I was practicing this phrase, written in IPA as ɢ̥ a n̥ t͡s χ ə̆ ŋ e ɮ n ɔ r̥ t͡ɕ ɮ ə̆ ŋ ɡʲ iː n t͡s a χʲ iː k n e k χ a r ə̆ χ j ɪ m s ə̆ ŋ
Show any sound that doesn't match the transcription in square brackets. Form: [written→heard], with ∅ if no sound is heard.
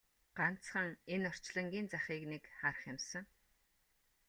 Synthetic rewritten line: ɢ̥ a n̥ t͡s χ ə̆ ŋ e [ɮ→∅] n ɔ r̥ t͡ɕ ɮ ə̆ ŋ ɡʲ iː n t͡s a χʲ iː k n e k χ a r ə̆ χ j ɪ m s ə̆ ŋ

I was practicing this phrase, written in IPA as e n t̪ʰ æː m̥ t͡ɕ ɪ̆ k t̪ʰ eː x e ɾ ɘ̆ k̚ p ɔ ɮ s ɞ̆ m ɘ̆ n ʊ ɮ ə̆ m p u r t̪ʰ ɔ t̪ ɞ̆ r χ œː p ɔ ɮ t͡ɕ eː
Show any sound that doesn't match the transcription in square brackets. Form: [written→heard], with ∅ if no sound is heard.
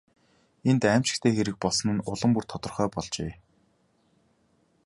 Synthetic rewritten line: e n [t̪ʰ→t̪] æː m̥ t͡ɕ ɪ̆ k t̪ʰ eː x e ɾ ɘ̆ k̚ p ɔ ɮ s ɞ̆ [m→n] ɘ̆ n ʊ ɮ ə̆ m p u r t̪ʰ ɔ t̪ ɞ̆ r χ œː p ɔ ɮ t͡ɕ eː

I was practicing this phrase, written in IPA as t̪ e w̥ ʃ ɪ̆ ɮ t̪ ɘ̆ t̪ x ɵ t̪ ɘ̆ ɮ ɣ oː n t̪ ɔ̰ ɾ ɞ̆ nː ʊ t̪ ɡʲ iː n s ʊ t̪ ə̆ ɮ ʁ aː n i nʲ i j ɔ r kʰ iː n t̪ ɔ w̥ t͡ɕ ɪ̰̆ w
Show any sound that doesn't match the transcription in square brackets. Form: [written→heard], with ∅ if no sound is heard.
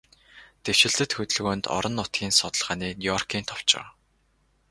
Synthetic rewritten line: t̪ e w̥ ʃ ɪ̆ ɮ t̪ ɘ̆ t̪ x ɵ t̪ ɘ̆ ɮ ɣ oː n t̪ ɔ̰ ɾ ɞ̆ nː ʊ t̪ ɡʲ iː n s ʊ t̪ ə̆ ɮ ʁ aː n [i→iː] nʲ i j ɔ r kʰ iː n [t̪→t̪ʰ] ɔ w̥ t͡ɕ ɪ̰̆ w

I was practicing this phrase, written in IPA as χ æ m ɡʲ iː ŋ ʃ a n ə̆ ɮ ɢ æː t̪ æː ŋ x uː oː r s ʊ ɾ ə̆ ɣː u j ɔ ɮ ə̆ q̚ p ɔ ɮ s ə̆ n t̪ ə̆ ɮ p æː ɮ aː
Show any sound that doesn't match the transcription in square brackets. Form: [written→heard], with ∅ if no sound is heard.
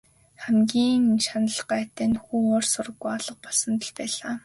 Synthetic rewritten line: χ æ m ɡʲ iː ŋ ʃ a n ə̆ ɮ ɢ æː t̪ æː [ŋ→n] x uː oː r s ʊ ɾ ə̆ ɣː u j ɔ ɮ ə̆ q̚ p ɔ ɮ s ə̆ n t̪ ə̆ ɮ p æː ɮ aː

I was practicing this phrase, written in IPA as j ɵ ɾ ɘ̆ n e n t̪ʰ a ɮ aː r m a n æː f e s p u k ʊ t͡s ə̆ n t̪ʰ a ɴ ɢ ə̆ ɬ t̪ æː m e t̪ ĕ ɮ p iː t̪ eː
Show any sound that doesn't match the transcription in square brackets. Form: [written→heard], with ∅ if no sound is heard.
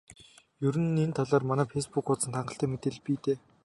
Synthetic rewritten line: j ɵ ɾ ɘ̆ n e n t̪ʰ a ɮ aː r m a n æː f e s p u k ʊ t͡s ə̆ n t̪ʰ a ɴ ɢ ə̆ ɬ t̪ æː m e t̪ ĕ ɮ p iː t̪ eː

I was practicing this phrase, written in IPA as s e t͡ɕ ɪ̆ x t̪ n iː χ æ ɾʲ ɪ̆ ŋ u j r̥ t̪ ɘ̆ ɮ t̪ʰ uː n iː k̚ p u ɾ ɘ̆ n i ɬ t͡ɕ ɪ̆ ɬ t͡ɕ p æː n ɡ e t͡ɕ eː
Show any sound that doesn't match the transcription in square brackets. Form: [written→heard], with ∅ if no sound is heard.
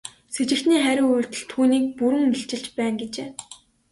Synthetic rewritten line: s e t͡ɕ ɪ̆ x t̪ n iː χ æ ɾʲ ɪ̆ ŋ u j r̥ t̪ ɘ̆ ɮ t̪ʰ uː n iː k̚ p u ɾ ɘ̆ [n→ŋ] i ɬ t͡ɕ ɪ̆ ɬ t͡ɕ p æː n ɡ e t͡ɕ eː

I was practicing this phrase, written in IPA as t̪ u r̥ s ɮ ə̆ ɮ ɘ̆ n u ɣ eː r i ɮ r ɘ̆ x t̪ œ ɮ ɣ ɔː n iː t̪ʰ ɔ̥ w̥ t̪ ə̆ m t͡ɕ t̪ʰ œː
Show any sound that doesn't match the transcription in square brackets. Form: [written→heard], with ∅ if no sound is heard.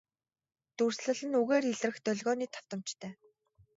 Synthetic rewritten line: t̪ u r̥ s ɮ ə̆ ɮ ɘ̆ n u ɣ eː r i ɮ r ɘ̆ x t̪ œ ɮ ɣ ɔː n iː t̪ʰ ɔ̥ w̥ t̪ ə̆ m t͡ɕ t̪ʰ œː

